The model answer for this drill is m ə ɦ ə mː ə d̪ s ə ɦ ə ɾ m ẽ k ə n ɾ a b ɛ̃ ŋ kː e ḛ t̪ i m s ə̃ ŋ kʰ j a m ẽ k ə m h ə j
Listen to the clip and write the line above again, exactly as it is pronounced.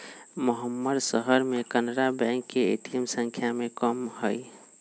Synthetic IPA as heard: m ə ɦ ə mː ə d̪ s ə ɦ ə ɾ m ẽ k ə n ɾ a b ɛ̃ ŋ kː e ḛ t̪ i m s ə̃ ŋ kʰ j a m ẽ k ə m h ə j

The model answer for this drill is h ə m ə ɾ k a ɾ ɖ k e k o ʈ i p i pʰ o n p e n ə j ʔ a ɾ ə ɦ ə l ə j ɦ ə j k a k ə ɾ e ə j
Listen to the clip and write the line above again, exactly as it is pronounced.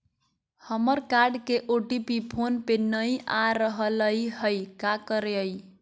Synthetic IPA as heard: h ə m ə ɾ k a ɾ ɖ k e ʔ o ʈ i p i pʰ o n p e n ə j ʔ a ɾ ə ɦ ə l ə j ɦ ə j k a k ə ɾ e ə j

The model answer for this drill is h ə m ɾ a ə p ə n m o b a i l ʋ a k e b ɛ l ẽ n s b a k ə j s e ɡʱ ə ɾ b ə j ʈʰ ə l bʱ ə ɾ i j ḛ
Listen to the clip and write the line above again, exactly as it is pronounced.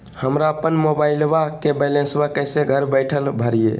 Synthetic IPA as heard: h ə m ɾ a ə p ə n m o b a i l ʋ a k e b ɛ l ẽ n s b a k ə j s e ɡʱ ə ɾ b ə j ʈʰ ə l bʱ ə ɾ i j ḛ

